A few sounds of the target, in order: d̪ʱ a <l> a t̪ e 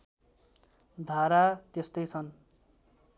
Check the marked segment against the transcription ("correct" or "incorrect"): incorrect